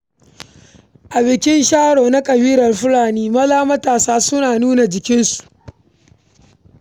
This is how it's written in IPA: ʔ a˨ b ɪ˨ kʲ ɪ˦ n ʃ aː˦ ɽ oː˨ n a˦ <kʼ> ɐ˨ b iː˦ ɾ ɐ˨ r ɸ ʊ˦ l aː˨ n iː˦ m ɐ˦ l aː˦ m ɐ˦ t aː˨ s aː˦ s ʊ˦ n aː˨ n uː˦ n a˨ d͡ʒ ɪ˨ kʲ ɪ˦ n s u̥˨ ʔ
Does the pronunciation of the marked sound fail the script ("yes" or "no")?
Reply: no